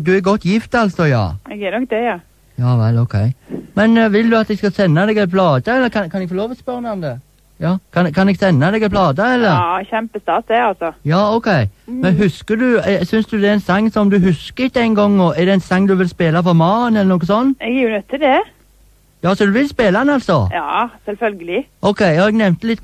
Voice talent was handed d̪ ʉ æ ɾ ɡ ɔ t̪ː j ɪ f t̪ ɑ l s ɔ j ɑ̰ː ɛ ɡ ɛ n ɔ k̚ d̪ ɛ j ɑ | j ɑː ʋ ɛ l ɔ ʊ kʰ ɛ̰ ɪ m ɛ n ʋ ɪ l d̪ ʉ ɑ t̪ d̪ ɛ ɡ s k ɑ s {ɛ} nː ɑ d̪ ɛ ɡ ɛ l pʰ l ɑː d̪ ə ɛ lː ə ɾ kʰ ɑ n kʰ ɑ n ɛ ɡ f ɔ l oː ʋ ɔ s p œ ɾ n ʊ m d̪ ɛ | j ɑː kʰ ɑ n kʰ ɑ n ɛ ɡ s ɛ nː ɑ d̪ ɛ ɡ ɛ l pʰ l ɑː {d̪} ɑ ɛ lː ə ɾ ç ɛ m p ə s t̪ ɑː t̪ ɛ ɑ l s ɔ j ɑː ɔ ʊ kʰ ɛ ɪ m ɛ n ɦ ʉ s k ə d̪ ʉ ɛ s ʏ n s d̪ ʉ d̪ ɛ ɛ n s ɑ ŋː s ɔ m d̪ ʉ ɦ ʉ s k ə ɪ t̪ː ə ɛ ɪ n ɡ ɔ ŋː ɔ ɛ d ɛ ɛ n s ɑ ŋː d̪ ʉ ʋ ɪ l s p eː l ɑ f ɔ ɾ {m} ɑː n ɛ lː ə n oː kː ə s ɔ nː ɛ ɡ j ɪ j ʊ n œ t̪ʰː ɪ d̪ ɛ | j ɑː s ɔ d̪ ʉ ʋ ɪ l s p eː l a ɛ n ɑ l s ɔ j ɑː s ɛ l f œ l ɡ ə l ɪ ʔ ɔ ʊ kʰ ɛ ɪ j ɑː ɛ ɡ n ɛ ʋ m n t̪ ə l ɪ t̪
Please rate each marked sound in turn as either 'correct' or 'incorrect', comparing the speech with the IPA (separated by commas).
correct, correct, correct